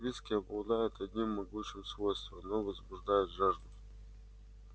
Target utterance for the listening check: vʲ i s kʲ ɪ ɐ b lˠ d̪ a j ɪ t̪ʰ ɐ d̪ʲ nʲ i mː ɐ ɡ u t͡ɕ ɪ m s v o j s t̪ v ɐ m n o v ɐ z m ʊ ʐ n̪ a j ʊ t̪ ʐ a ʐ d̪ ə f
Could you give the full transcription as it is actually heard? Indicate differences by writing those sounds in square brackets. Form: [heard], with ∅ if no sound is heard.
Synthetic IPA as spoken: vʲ i s kʲ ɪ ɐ b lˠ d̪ a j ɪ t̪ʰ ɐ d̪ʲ nʲ i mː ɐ ɡ u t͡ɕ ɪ m s v o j s t̪ v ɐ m n o v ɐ z [b] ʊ ʐ [d̪] a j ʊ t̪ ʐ a ʐ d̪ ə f